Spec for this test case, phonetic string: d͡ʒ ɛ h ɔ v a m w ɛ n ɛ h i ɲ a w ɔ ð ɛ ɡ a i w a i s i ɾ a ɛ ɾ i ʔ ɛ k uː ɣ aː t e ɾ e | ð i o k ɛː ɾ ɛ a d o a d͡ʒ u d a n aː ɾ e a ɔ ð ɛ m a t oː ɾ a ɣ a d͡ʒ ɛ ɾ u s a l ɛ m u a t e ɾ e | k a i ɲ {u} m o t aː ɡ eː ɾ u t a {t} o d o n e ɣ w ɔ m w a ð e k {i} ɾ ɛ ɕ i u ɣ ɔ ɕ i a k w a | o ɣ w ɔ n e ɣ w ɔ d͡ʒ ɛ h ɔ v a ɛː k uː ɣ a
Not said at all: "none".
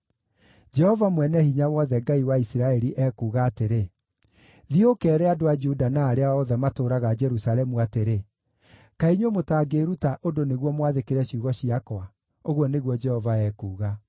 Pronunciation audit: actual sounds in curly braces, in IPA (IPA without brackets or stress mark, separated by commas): o, ʔ, e